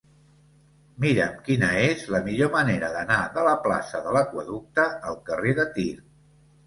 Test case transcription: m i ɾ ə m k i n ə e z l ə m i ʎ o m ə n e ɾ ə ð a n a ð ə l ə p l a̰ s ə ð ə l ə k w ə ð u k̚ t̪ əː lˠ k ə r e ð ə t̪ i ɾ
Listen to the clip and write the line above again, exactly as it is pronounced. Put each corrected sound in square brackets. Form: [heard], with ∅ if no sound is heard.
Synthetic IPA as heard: m i ɾ ə m k i n ə e z l ə m i ʎ o m ə n e ɾ ə ð [ə] n a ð ə l ə p l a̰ s ə ð ə l ə k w ə ð u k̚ t̪ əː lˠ k ə r e ð ə t̪ i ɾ